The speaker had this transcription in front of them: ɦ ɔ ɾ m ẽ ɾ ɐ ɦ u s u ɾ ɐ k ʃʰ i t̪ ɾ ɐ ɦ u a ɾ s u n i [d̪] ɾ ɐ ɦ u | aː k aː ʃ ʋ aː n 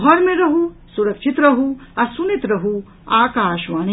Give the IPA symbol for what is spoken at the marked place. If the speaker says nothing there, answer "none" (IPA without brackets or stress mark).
t̪